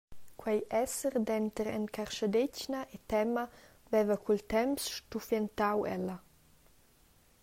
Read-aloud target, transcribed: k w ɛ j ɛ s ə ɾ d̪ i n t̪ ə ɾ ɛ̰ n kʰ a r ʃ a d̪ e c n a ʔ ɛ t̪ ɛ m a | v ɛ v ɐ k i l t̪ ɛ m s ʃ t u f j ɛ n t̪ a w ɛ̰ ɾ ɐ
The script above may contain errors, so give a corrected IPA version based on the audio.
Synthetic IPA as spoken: k w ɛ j ɛ s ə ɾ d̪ ɛ n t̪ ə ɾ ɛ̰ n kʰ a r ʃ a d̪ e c n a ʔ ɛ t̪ ɛ m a | v ɛ v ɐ k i l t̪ ɛ m s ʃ t u f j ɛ n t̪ a w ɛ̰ l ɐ